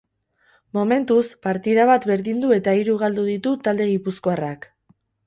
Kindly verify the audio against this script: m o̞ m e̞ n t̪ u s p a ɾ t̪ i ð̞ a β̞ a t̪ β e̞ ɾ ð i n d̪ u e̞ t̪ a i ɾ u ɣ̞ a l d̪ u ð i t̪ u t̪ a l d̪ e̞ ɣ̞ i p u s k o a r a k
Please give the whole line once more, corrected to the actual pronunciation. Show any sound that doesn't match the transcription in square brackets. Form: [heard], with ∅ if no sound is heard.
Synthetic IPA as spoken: m o̞ m e̞ n t̪ u s p a ɾ t̪ i ð̞ a β̞ a t̪ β e̞ ɾ ð i n d̪ u e̞ t̪ a i ɾ u ɣ̞ a l d̪ u ð i t̪ u t̪ a l d̪ e̞ ɣ̞ i p u s k o a r a k